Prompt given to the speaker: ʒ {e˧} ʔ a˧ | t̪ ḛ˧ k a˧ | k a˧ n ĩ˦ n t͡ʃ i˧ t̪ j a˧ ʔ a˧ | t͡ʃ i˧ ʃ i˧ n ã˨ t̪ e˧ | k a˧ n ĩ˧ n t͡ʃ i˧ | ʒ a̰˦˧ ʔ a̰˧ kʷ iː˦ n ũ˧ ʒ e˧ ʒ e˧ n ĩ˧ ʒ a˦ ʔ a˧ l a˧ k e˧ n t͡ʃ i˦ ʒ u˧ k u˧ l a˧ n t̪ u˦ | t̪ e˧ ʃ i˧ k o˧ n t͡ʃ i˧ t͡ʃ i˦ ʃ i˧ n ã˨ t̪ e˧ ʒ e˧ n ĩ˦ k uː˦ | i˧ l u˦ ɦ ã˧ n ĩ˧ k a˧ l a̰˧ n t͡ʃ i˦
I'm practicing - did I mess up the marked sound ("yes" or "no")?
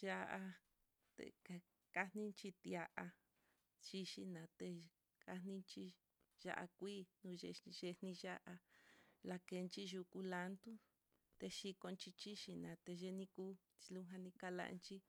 yes